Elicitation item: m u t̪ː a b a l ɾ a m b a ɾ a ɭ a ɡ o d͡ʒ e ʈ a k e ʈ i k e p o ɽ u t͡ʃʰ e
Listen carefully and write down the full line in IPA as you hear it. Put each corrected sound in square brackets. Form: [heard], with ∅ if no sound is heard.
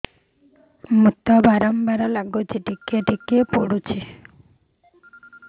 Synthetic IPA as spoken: m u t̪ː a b a [∅] ɾ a m b a ɾ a [l] a ɡ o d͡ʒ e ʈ [i] k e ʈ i k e p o ɽ u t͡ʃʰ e